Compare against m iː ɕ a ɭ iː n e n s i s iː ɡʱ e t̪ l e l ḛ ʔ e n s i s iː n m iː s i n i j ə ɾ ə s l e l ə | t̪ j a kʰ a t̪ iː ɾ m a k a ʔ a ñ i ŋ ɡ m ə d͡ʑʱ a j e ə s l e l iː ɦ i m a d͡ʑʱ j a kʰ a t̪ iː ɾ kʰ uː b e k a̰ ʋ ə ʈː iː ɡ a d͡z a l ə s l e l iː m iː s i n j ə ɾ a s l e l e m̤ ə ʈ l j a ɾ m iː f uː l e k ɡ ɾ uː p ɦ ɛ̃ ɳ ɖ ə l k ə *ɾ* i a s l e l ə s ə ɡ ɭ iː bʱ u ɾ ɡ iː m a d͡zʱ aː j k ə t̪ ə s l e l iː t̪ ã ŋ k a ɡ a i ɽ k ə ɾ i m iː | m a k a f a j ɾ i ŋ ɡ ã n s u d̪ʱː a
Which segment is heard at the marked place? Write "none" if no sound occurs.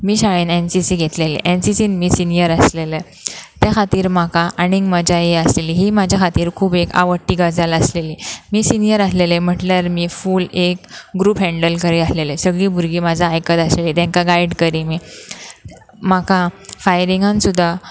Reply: ɾ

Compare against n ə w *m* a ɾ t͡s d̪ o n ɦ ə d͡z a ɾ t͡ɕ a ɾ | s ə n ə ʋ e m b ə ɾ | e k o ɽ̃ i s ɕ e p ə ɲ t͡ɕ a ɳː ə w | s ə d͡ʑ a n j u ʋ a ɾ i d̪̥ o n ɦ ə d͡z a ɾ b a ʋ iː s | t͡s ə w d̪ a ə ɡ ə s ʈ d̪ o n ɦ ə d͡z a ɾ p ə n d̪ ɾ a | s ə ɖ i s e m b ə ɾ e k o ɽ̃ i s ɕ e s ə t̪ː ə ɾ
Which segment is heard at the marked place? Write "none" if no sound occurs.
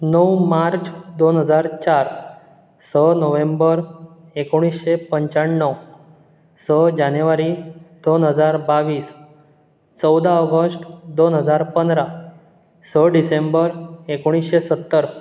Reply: m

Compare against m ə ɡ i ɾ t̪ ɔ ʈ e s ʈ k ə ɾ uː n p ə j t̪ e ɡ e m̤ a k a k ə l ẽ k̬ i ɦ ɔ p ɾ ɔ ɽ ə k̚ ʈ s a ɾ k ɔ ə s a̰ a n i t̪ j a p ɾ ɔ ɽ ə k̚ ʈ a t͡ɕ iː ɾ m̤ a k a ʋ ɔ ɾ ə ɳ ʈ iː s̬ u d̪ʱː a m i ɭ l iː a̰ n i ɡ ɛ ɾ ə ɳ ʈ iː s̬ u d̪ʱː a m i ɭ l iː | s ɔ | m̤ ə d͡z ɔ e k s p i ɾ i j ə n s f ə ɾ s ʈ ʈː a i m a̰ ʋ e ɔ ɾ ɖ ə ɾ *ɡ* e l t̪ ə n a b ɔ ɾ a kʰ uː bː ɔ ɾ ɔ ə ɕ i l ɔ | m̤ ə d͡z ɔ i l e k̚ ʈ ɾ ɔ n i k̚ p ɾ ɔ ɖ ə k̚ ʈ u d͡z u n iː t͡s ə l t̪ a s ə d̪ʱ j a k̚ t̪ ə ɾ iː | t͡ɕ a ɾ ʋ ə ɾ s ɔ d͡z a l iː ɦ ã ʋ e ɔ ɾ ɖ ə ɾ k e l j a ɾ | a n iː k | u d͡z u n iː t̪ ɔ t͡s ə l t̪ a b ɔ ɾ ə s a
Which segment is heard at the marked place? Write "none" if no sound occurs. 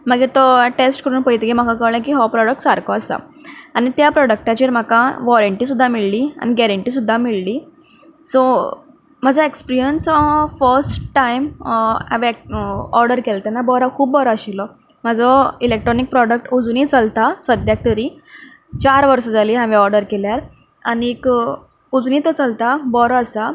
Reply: k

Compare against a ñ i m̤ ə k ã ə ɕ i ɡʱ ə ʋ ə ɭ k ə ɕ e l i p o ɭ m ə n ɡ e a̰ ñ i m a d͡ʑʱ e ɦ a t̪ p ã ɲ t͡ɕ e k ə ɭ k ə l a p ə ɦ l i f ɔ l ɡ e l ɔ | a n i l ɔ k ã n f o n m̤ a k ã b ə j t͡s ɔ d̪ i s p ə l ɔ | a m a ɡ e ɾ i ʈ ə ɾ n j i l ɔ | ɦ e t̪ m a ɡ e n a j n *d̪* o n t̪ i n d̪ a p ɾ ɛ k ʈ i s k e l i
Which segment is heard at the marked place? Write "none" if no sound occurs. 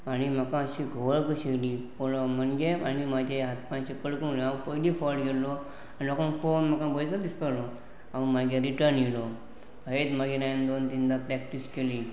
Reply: d̪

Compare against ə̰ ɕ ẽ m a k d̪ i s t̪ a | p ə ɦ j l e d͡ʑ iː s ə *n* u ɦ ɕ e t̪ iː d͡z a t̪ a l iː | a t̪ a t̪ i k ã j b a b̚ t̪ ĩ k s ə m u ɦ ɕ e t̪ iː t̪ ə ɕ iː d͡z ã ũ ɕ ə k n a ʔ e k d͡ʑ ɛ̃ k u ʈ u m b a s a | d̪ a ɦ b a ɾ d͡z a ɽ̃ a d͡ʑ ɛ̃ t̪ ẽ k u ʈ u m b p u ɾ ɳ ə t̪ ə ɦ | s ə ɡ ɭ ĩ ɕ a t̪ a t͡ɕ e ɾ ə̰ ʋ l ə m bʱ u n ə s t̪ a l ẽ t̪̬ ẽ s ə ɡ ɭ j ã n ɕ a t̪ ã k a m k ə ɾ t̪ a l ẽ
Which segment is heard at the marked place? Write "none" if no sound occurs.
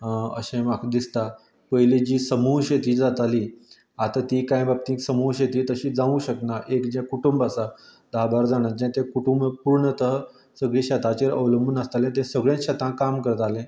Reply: m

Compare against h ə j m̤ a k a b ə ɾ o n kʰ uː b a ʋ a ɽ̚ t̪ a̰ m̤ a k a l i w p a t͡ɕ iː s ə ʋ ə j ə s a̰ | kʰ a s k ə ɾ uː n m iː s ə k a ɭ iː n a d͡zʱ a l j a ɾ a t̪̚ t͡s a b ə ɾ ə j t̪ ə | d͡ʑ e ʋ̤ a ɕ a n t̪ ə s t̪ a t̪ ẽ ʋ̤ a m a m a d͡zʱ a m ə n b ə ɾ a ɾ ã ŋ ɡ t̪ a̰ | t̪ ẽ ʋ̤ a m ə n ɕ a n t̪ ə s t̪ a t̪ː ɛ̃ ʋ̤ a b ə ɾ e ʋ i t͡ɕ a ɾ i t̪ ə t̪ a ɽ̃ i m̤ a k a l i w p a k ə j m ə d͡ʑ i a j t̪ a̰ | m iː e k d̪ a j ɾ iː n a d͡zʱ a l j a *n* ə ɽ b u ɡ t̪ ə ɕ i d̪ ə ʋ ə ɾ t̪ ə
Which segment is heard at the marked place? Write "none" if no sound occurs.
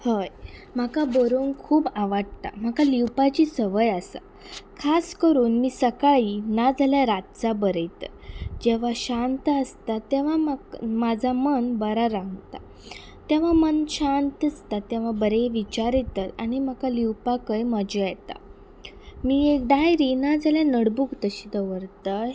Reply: n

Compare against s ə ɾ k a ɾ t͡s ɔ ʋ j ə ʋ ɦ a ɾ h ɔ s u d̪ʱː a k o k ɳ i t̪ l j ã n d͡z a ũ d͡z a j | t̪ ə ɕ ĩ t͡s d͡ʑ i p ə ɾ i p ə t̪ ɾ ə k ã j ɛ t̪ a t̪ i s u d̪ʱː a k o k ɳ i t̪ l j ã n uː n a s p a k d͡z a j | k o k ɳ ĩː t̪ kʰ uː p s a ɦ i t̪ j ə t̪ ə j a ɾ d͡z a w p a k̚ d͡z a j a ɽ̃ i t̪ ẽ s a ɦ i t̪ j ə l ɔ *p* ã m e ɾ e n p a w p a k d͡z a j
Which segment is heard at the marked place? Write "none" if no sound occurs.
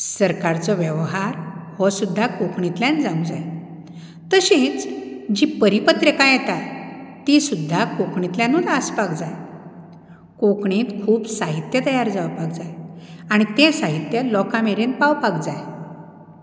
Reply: k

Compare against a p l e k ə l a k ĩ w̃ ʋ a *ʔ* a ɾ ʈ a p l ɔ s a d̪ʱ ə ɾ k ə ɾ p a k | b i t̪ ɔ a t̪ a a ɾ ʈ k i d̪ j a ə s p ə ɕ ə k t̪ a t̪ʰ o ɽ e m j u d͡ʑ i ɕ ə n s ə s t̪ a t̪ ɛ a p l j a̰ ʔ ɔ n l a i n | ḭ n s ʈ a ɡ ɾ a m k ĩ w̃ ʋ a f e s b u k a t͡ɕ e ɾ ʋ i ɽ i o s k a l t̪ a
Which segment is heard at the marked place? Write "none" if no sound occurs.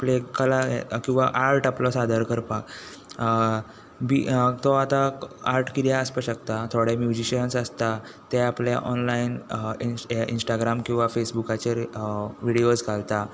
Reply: ʔ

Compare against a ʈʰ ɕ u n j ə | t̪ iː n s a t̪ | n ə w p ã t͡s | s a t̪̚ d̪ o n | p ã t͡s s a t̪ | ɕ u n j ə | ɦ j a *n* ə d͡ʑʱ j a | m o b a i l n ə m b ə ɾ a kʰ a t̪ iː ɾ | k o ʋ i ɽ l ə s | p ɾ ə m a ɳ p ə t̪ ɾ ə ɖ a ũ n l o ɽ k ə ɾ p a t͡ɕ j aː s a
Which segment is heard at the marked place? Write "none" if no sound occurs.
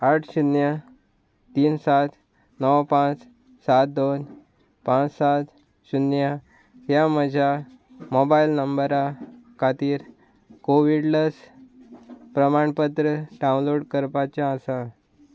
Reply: m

